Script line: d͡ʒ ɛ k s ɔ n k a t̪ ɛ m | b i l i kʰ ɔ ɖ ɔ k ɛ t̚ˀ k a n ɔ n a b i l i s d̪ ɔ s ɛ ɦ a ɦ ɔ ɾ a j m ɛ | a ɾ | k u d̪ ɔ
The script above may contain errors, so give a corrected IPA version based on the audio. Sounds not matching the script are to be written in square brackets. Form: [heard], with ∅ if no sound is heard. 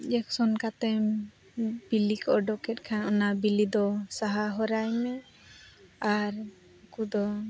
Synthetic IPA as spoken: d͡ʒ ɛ k s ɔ n k a t̪ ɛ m | b i l i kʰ ɔ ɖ ɔ k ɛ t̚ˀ [kʰ] a n ɔ n a b i l i [∅] d̪ ɔ s [a] ɦ a ɦ ɔ ɾ a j m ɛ | a ɾ | k u d̪ ɔ